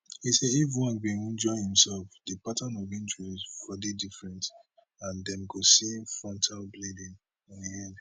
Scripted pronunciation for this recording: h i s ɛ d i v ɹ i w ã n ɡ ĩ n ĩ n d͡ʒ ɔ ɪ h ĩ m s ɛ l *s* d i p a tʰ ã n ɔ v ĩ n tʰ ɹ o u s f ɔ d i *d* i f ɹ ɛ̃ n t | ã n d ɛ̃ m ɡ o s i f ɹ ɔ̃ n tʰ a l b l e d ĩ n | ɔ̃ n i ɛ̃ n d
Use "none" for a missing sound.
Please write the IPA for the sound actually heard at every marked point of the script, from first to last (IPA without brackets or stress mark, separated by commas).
f, d